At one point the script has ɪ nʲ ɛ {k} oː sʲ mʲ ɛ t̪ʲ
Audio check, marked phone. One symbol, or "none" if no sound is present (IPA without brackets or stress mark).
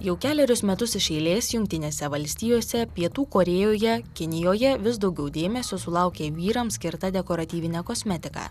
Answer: k